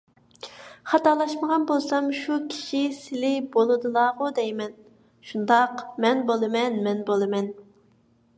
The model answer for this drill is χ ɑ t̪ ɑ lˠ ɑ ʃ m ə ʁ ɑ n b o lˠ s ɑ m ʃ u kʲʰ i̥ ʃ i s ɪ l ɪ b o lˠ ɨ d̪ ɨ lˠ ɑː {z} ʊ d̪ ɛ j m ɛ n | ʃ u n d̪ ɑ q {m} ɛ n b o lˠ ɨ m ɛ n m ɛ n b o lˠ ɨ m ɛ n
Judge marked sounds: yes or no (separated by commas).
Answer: no, yes